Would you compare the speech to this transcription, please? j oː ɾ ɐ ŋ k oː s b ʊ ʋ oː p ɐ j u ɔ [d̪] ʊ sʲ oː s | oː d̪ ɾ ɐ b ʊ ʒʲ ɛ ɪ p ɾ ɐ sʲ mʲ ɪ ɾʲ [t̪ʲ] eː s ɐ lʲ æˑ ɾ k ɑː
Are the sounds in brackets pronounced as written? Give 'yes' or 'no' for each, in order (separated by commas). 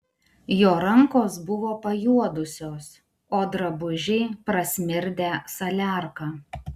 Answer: yes, no